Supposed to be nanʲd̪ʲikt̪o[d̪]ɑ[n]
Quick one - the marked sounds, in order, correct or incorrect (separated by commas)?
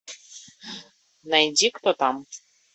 incorrect, incorrect